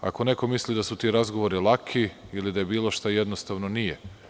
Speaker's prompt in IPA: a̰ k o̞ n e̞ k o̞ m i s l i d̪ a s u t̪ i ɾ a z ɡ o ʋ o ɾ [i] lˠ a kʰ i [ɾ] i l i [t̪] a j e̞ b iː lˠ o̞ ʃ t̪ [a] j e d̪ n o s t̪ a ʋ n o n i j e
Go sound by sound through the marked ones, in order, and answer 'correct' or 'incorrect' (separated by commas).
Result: correct, incorrect, incorrect, correct